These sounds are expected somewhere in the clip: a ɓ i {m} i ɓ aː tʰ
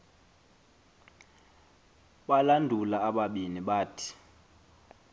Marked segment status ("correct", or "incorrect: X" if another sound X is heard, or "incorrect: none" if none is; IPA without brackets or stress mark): incorrect: n